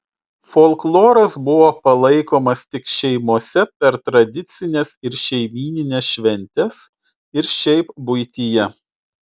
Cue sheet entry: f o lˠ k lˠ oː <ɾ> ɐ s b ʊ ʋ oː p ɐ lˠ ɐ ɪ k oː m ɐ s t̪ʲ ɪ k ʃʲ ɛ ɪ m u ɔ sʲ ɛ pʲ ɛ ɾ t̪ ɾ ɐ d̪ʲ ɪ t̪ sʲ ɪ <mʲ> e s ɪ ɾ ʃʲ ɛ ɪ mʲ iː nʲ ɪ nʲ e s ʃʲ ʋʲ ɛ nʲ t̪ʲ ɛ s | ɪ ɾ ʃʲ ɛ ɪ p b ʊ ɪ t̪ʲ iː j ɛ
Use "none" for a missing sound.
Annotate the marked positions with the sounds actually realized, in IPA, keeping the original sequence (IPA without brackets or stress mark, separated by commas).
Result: ɾ, nʲ